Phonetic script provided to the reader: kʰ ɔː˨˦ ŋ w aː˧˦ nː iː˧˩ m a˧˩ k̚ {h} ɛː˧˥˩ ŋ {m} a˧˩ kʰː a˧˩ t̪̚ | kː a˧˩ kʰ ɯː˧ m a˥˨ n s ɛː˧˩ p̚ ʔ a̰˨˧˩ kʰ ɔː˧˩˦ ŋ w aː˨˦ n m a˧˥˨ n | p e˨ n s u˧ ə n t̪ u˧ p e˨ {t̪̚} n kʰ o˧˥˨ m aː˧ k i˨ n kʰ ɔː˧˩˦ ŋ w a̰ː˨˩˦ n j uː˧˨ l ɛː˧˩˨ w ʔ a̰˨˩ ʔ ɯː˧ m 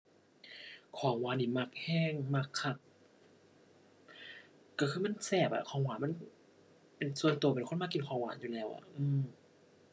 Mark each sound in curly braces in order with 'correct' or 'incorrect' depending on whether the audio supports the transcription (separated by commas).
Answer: correct, correct, incorrect